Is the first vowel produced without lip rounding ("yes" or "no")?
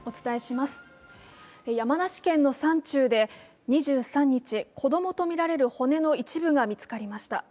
no